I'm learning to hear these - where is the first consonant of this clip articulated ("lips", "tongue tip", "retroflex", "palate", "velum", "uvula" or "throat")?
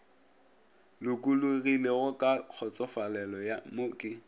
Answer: tongue tip